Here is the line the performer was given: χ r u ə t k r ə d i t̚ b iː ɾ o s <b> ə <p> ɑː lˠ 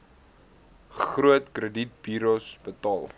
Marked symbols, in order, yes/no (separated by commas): yes, no